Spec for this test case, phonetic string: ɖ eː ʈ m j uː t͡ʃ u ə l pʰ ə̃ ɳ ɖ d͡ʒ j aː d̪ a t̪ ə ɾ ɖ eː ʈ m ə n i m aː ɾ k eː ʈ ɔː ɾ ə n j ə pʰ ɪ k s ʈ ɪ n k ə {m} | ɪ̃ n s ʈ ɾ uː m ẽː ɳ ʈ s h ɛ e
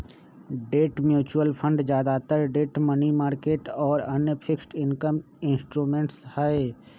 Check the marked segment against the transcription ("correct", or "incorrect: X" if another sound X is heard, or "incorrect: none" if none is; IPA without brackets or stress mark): correct